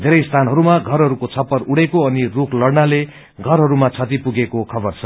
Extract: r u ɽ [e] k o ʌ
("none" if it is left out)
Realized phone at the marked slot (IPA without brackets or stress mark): e